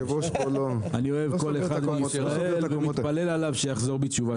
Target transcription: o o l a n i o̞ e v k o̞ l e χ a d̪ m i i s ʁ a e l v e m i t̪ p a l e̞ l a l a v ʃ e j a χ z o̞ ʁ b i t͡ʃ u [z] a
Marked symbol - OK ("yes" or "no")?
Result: no